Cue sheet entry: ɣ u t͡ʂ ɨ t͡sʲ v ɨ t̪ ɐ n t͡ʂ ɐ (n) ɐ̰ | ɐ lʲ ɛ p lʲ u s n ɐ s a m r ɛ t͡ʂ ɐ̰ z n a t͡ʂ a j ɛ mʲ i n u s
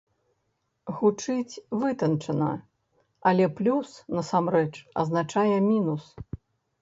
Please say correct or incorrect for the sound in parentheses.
correct